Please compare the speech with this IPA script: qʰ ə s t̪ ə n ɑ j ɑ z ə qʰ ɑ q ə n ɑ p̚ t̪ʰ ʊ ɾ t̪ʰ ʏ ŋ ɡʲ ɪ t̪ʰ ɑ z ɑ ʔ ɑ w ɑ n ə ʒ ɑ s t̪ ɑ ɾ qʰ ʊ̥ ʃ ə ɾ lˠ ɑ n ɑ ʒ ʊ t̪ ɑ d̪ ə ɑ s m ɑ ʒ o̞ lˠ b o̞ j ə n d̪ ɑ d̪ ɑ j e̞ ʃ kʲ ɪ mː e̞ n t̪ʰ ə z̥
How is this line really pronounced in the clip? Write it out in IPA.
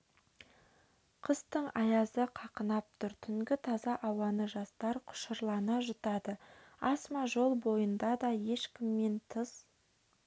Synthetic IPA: qʰ ə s t̪ ə ɴ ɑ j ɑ z ə qʰ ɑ q ə n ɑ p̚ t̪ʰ ʊ ɾ t̪ʰ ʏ ŋ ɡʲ ɪ t̪ʰ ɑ z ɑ ʔ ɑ w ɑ n ə ʒ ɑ s t̪ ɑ ɾ qʰ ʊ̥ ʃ ə ɾ lˠ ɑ n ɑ ʒ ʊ t̪ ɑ d̪ ə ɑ s m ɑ ʒ o̞ lˠ b o̞ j ə n d̪ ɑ d̪ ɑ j e̞ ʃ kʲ ɪ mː e̞ n t̪ʰ ə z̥